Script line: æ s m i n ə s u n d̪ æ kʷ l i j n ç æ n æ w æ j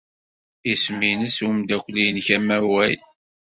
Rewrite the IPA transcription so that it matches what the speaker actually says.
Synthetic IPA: i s m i n ə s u m d̪ æ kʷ l i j n ç æ m æ w æ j